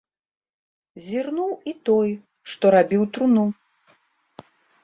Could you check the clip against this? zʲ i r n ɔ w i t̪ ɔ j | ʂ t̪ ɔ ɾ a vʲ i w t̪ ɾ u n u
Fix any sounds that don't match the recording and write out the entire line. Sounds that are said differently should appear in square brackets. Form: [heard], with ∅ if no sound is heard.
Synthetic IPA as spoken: zʲ i r n [u] w i t̪ ɔ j | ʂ t̪ ɔ ɾ a [bʲ] i w t̪ ɾ u n u